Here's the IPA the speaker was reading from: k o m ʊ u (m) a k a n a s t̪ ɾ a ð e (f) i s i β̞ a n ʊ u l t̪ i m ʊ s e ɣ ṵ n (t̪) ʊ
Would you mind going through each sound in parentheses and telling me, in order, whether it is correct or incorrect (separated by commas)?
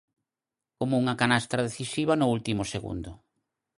incorrect, incorrect, incorrect